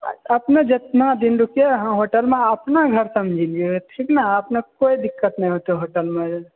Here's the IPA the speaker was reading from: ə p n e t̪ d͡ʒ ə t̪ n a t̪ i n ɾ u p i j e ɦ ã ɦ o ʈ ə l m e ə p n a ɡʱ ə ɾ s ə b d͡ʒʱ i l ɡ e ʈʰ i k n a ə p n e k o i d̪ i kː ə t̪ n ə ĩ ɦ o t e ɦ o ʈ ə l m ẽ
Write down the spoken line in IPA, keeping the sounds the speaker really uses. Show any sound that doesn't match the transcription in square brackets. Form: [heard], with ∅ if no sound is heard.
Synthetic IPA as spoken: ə p n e [∅] d͡ʒ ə t̪ n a [d̪] i n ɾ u [k] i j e ɦ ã ɦ o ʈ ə l m e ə p n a ɡʱ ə ɾ s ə [m] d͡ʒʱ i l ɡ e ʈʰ i k n a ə p n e k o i d̪ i kː ə t̪ n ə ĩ ɦ o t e ɦ o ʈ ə l m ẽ